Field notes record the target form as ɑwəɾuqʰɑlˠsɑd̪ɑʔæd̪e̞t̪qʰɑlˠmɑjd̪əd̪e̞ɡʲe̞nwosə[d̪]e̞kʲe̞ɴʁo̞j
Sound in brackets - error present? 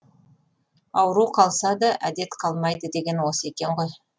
yes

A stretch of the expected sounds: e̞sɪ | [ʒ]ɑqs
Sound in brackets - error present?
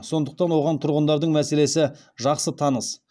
no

